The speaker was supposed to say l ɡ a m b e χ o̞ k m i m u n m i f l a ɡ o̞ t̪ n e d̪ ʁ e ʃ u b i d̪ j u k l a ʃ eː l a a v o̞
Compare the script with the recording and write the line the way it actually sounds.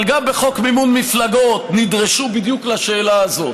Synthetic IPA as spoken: l ɡ a m b e χ o̞ k m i m u n m i f l a ɡ o̞ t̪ n i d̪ ʁ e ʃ u b i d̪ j u k l a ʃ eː l a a z o̞